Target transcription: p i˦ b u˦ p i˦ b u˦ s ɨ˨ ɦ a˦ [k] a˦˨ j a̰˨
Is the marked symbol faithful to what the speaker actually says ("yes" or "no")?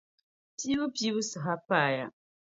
no